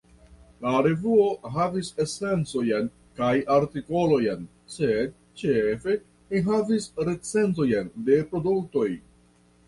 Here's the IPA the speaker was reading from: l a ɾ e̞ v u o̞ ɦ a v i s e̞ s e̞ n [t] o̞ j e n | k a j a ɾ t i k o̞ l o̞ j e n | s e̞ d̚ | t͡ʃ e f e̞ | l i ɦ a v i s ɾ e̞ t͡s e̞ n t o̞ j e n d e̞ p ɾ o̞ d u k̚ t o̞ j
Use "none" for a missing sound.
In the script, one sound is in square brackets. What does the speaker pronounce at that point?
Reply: t͡s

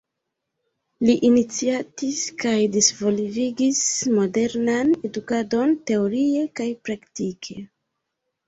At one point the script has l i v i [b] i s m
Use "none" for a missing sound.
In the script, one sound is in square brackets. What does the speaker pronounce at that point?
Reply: ɡ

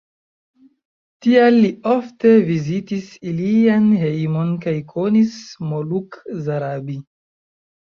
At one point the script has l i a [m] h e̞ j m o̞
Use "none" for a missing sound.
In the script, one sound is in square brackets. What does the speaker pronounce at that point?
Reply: n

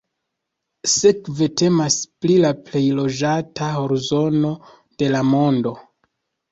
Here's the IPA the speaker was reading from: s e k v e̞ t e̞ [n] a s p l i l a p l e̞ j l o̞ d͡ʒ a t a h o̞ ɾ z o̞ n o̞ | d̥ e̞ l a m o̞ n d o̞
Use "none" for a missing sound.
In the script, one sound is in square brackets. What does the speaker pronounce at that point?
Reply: m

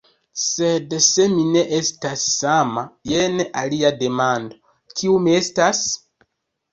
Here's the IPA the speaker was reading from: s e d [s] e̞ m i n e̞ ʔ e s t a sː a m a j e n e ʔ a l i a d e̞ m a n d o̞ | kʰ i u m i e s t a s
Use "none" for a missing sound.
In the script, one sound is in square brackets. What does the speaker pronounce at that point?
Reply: s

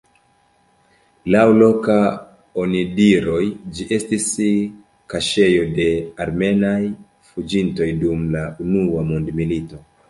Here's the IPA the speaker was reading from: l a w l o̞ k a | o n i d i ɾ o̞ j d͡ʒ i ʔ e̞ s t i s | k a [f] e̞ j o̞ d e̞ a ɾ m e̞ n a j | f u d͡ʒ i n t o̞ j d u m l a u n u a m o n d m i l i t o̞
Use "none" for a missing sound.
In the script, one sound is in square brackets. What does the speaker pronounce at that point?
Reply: ʃ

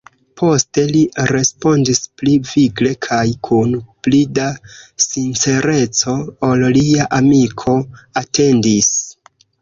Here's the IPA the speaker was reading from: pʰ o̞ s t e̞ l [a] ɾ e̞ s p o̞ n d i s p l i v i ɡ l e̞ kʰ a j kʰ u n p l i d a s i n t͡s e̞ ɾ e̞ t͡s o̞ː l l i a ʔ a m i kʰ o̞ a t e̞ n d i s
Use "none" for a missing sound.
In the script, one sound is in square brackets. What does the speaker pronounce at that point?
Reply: i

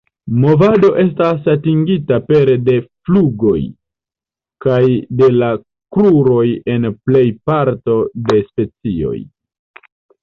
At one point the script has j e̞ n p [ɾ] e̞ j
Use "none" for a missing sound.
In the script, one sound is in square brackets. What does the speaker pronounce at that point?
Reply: l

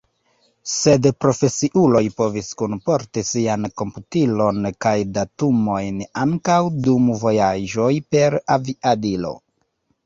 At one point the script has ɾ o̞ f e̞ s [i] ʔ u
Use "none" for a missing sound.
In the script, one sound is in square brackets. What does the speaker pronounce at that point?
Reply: i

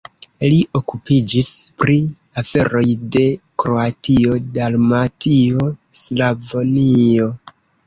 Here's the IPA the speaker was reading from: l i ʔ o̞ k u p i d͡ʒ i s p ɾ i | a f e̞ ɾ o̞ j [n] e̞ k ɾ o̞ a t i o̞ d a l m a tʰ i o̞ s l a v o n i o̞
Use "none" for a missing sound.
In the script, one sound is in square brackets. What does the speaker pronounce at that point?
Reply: d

